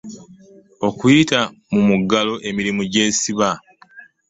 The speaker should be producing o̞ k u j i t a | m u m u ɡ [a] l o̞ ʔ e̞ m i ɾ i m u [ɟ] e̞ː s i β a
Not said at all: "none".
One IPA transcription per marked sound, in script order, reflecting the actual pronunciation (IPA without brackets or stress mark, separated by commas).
a, ɟ